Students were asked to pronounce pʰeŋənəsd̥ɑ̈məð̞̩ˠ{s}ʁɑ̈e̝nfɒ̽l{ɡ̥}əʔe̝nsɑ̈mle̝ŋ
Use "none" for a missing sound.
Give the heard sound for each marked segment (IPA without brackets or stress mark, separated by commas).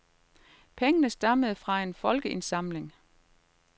f, ɡ̥